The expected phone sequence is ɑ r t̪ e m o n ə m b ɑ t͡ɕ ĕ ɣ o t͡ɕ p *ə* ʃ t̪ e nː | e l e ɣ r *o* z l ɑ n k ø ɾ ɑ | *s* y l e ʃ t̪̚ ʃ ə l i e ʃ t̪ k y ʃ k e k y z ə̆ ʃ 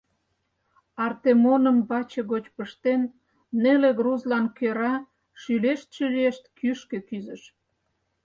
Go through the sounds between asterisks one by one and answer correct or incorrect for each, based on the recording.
correct, incorrect: u, incorrect: ʃ

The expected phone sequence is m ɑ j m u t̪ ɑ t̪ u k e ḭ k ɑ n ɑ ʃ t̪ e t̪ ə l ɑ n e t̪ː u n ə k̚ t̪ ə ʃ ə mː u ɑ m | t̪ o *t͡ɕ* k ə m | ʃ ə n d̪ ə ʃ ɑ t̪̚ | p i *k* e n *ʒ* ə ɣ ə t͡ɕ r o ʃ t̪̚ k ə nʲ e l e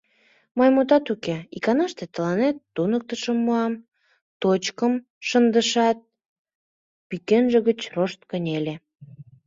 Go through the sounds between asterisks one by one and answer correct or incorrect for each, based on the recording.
correct, correct, correct

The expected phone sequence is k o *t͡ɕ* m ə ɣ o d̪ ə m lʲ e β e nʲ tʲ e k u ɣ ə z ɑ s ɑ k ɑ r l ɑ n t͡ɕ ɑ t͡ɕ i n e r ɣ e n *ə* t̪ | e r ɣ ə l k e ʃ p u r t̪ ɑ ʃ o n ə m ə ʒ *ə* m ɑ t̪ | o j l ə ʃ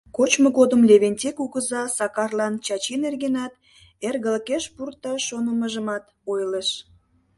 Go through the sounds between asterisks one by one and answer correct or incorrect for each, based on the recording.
correct, incorrect: ɑ, correct

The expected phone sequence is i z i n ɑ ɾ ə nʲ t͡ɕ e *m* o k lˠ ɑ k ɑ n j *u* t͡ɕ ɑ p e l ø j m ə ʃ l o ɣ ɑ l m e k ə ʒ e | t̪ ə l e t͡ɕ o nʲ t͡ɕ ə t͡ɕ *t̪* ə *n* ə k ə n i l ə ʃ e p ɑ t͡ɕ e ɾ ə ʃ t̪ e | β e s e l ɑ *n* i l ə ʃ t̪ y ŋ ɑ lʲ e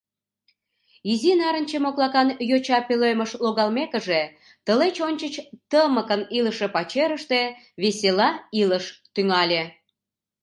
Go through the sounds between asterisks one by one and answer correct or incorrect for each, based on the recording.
correct, incorrect: o, correct, incorrect: m, incorrect: none

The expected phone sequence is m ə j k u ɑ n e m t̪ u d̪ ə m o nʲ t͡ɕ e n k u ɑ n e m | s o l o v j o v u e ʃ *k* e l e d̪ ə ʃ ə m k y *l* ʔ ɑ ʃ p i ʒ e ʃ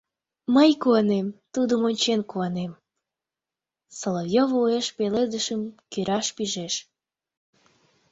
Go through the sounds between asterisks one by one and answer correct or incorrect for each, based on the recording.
incorrect: p, incorrect: ɾ

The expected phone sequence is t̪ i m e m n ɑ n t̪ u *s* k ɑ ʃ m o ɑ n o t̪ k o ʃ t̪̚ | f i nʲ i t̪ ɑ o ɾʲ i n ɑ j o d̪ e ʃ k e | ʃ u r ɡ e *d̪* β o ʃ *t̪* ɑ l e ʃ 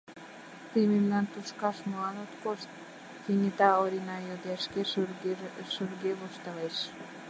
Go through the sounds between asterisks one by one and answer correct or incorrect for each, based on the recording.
incorrect: ʃ, incorrect: none, correct

